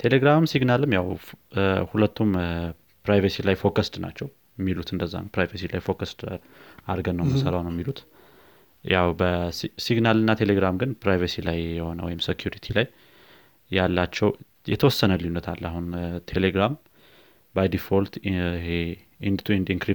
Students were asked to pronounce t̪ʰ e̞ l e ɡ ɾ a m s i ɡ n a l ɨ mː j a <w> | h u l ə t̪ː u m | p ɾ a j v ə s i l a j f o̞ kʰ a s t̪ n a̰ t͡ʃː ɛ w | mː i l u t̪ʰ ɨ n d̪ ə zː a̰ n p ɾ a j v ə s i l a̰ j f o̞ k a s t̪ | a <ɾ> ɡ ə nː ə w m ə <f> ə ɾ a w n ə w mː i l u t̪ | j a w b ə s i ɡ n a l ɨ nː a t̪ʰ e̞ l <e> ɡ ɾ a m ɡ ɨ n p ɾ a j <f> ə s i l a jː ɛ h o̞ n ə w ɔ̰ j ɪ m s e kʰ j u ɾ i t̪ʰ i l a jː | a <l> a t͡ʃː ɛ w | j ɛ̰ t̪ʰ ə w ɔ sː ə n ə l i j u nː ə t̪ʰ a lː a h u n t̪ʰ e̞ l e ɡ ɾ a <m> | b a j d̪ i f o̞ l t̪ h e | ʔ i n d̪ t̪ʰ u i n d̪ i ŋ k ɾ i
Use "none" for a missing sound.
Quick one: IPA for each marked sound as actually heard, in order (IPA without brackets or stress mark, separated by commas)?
w, ɾ, s, e, v, lː, m